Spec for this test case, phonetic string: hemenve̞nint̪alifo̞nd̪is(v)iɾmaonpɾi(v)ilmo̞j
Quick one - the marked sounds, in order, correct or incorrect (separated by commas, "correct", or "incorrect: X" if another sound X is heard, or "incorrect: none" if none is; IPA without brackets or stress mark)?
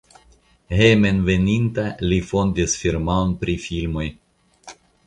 incorrect: f, incorrect: f